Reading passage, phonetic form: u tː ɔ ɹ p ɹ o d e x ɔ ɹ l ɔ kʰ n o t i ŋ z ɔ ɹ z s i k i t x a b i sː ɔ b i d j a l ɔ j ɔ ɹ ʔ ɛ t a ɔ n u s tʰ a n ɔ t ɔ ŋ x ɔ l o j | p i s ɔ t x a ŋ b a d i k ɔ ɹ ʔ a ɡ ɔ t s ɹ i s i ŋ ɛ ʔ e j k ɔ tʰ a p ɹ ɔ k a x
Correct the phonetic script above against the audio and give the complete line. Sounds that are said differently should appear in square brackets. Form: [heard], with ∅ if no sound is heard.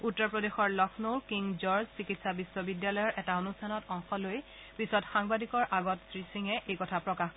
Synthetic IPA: u tː ɔ ɹ p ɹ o d e x ɔ ɹ l ɔ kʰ n o [k] i ŋ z ɔ ɹ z s i k i t [s] a b i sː ɔ b i d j a l ɔ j ɔ ɹ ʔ ɛ t a [o] n u s tʰ a n ɔ t ɔ ŋ x ɔ l o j | p i s ɔ t x a ŋ b a d i k ɔ ɹ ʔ a ɡ ɔ t s ɹ i s i ŋ ɛ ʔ e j k ɔ tʰ a p ɹ ɔ k a x

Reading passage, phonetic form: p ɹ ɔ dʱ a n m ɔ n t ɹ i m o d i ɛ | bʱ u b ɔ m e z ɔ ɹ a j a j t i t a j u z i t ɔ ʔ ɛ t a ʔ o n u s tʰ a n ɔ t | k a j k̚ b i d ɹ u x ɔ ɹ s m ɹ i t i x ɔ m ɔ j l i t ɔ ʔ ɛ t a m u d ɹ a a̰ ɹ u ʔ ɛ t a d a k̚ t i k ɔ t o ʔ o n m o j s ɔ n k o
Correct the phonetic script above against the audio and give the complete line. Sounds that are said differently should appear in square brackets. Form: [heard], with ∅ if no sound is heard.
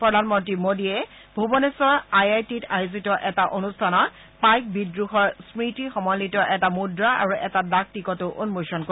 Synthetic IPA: p ɹ ɔ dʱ a n m ɔ n t ɹ i m o d i ɛ | bʱ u b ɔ [n] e [s] ɔ ɹ a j a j t i t a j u z i t ɔ ʔ ɛ t a ʔ o n u s tʰ a n ɔ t | [p] a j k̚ b i d ɹ u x ɔ ɹ s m ɹ i t i x ɔ m ɔ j l i t ɔ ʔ ɛ t a m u d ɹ a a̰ ɹ u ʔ ɛ t a d a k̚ t i k ɔ t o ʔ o n m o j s ɔ n k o

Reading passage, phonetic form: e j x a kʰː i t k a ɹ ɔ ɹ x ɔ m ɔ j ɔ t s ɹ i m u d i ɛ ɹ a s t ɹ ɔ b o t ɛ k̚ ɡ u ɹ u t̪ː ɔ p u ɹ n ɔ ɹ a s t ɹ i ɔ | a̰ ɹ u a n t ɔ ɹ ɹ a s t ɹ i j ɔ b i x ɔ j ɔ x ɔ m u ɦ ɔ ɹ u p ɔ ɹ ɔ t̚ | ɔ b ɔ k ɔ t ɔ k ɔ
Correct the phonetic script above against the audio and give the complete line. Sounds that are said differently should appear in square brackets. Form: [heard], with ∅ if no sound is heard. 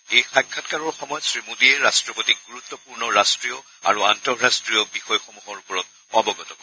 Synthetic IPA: e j x a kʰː [a] t k a ɹ ɔ ɹ x ɔ m ɔ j ɔ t s ɹ i m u d i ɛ ɹ a s t ɹ ɔ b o t [i] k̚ ɡ u ɹ u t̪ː ɔ p u ɹ n ɔ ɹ a s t ɹ i ɔ | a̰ ɹ u a n t ɔ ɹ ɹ a s t ɹ i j ɔ b i x ɔ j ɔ x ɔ m u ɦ ɔ ɹ u p ɔ ɹ ɔ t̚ | ɔ b ɔ [ɡ] ɔ t ɔ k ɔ

